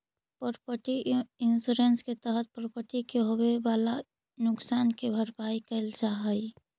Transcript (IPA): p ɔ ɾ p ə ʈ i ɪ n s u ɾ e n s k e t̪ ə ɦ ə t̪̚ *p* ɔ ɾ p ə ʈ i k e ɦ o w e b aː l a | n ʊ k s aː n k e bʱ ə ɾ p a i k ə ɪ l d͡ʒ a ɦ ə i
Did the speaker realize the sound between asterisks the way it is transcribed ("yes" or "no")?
yes